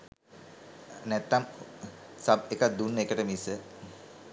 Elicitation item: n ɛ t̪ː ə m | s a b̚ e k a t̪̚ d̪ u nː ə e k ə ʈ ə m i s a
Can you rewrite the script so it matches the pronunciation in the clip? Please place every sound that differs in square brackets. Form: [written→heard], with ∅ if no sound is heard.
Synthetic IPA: n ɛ t̪ː [ə→a] m | s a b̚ e k a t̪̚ d̪ u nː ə e k ə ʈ ə m i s [a→ə]